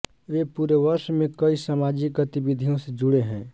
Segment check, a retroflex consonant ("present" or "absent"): present